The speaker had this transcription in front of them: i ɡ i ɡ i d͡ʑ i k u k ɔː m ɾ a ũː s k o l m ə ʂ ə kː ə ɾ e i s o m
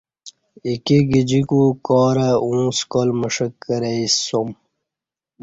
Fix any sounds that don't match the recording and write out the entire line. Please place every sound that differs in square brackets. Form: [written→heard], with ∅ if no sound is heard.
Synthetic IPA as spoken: i [ɡ→k] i ɡ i d͡ʑ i k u k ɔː [m→∅] ɾ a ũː s k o l m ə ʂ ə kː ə ɾ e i s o m